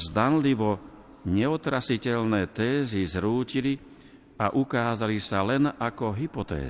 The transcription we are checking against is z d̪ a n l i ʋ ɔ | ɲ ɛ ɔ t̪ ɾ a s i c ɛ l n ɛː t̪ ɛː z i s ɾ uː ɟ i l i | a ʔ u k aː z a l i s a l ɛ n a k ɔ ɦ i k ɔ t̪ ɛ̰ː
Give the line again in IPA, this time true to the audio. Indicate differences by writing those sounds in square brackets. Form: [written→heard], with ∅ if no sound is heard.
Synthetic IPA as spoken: z d̪ a n l i ʋ ɔ | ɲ ɛ ɔ t̪ ɾ a s i c ɛ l n ɛː t̪ ɛː z i [s→z] ɾ uː [ɟ→c] i l i | a ʔ u k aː z a l i s a l ɛ n a k ɔ ɦ i [k→p] ɔ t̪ ɛ̰ː